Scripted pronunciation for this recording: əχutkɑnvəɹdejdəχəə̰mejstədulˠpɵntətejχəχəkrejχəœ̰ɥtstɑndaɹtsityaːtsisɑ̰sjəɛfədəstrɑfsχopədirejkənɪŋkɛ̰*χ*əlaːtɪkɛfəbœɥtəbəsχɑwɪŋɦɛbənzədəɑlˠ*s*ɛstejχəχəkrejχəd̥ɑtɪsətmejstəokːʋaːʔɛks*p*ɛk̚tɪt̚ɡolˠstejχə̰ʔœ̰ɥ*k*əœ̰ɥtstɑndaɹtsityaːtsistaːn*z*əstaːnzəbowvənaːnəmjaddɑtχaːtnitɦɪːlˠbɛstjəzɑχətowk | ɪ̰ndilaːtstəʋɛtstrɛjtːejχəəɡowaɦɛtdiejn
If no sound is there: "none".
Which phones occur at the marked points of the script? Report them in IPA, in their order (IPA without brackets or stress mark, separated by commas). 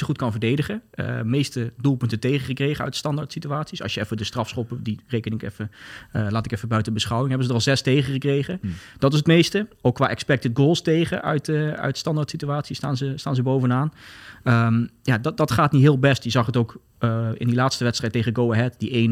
f, z, p, t, z